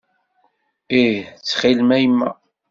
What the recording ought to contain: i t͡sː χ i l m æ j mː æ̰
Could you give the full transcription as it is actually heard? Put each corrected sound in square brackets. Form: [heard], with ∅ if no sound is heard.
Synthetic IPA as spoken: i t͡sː χ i l m æ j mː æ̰

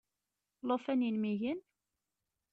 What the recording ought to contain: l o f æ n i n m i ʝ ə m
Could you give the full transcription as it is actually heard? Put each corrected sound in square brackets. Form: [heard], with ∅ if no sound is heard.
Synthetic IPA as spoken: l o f æ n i n m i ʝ ə [n]

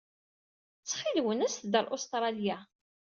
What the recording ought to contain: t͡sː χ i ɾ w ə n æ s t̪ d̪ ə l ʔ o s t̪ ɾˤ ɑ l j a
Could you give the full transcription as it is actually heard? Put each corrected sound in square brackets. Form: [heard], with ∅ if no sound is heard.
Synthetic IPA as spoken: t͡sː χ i [l] w ə n æ s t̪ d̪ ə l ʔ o s t̪ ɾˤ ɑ l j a

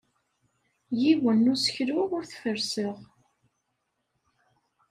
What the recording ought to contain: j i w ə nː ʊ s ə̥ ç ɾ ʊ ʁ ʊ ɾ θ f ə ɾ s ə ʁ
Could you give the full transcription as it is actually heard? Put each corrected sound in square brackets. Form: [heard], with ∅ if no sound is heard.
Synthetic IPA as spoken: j i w ə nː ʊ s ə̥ ç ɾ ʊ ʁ ʊ ɾ θ f ə ɾ s ə ʁ

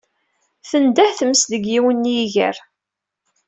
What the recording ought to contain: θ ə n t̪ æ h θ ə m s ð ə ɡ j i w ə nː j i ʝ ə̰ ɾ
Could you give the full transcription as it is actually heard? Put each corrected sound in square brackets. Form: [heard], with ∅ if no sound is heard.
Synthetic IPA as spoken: θ ə n [d̪] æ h θ ə m s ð ə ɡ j i w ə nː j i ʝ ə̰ ɾ

